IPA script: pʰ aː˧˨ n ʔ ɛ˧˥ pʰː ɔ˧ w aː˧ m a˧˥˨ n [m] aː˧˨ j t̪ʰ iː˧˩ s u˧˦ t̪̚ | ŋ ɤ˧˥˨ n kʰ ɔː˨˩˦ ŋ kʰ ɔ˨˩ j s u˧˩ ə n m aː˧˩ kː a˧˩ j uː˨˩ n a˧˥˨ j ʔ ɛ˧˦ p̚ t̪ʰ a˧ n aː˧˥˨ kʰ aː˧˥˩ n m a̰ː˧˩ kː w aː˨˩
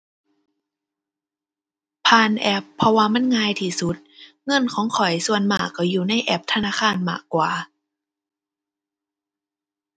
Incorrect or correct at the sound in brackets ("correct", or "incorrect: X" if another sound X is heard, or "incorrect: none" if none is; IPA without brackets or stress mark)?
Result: incorrect: ŋ